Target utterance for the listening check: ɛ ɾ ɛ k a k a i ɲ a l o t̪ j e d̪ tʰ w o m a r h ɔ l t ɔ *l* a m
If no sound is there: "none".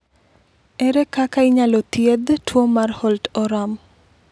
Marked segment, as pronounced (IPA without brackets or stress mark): ɾ